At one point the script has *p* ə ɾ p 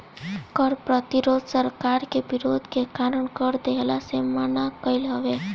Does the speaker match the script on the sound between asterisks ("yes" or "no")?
no